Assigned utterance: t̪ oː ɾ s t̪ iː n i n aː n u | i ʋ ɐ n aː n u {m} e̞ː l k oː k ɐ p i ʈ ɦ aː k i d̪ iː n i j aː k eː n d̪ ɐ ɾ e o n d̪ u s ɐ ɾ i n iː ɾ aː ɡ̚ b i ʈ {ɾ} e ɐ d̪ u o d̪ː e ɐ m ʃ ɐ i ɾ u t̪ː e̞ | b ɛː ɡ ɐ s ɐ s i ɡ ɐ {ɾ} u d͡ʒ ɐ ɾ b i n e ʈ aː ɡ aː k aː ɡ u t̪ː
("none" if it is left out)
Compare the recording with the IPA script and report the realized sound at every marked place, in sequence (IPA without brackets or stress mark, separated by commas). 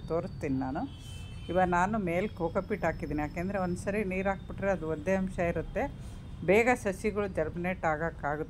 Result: m, ɾ, ɭ